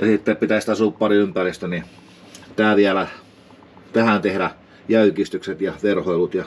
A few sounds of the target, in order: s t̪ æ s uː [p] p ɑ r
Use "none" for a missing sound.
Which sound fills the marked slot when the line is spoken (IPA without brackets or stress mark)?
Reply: p